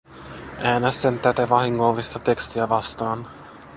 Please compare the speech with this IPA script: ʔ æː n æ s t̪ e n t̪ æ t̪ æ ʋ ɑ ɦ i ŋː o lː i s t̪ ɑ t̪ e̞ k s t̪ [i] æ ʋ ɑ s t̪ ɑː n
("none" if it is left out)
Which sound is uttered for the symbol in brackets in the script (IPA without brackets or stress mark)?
i